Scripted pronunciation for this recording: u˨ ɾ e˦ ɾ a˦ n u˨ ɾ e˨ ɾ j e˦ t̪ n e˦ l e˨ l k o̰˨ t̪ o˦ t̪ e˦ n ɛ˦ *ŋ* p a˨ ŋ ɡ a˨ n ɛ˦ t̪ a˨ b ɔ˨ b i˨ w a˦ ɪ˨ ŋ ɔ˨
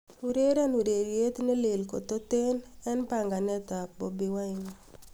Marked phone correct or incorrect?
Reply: incorrect